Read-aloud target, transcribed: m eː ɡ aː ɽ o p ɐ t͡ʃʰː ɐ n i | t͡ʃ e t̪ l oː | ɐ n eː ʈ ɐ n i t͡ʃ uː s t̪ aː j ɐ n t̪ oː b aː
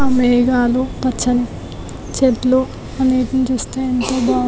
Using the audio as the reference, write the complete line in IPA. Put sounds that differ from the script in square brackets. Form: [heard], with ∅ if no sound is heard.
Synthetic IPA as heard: m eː ɡ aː [l] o p ɐ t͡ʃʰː ɐ n i | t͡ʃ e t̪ l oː | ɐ n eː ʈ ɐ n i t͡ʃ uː s t̪ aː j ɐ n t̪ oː b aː